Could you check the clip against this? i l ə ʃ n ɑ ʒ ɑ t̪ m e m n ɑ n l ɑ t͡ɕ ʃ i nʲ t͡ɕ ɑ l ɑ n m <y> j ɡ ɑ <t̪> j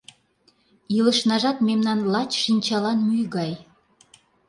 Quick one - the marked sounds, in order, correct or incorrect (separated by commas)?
correct, incorrect